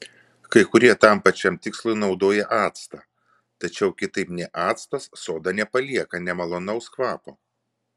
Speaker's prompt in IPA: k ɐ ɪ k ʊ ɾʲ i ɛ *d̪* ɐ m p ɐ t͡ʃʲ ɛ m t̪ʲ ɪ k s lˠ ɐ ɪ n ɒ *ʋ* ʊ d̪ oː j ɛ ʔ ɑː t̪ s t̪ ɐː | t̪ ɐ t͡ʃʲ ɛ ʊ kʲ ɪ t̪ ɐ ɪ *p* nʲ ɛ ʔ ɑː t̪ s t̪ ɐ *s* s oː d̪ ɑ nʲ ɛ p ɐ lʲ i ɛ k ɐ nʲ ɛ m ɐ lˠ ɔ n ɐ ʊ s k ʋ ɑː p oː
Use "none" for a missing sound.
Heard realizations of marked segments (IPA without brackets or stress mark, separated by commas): t̪, none, p, s